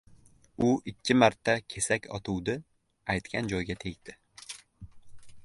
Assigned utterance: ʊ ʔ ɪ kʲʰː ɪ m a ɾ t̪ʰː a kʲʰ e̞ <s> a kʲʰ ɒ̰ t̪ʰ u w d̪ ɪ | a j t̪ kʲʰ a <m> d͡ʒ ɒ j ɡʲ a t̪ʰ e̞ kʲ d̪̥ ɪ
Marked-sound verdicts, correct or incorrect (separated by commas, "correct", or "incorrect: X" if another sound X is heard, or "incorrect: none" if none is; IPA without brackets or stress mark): correct, incorrect: n